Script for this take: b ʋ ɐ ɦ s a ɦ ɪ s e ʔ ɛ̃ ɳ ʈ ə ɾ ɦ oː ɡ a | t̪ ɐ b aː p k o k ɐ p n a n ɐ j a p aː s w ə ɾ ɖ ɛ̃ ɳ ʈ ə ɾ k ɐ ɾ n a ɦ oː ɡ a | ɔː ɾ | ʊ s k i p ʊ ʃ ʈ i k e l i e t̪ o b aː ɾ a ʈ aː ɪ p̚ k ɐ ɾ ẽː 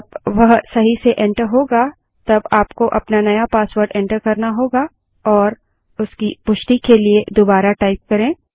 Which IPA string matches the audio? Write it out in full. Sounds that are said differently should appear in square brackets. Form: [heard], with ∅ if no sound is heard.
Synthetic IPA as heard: b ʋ ɐ ɦ s [ɐ] ɦ [i] s e ʔ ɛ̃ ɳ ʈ ə ɾ ɦ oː ɡ a | t̪ ɐ b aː p k o [ʔ] ɐ p n a n ɐ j a p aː s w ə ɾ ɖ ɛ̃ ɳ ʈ ə ɾ k ɐ ɾ n a ɦ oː ɡ a | ɔː ɾ | ʊ s k i p ʊ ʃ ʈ i k e l i e [d̪] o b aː ɾ a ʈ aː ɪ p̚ k ɐ ɾ ẽː